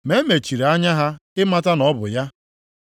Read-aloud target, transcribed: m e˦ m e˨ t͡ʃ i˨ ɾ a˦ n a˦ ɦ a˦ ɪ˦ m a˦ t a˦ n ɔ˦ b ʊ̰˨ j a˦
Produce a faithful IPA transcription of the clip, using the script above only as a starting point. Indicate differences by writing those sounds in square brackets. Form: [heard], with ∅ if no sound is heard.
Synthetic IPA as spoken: m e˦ m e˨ t͡ʃ i˨ ɾ a˦ [ɲ] a˦ ɦ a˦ ɪ˦ m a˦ t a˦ n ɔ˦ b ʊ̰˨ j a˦